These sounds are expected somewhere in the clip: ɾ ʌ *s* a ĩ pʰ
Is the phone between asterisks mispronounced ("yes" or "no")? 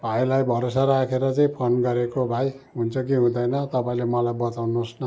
yes